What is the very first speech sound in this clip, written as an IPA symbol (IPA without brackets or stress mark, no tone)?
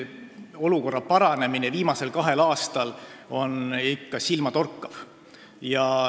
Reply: o̞